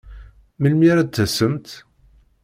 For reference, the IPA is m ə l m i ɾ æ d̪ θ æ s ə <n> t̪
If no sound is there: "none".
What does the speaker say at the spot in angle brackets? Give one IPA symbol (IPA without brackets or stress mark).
m